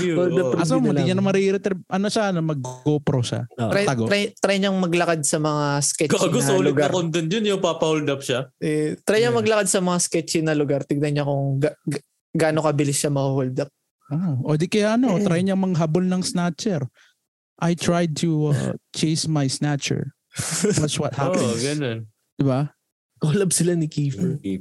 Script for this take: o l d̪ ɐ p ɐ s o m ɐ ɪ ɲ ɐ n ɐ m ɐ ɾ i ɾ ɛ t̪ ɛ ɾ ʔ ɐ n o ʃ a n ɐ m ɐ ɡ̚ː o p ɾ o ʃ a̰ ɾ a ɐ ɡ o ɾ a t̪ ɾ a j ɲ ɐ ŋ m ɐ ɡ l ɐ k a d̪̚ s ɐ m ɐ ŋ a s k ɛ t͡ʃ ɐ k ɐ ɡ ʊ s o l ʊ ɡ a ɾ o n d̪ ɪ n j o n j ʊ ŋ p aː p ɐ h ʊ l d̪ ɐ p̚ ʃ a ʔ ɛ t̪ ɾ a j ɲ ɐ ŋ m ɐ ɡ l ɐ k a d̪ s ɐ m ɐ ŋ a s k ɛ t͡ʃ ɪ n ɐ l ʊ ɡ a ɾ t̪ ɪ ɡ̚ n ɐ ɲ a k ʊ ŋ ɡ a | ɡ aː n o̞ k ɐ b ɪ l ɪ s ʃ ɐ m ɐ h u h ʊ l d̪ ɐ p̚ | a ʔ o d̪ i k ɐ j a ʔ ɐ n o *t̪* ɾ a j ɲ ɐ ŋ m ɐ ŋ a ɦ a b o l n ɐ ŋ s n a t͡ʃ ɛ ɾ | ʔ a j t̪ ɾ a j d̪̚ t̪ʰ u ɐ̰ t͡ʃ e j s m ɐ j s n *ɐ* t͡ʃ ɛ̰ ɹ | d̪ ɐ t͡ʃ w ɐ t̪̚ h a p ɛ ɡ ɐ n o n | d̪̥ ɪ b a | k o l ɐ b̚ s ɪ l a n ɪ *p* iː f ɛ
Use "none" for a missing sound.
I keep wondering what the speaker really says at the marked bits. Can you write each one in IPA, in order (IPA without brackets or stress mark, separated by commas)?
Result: t̪, a, k